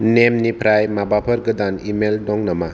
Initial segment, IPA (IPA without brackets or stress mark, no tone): n